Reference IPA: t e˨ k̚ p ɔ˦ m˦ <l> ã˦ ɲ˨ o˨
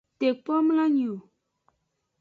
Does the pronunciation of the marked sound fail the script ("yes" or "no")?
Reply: no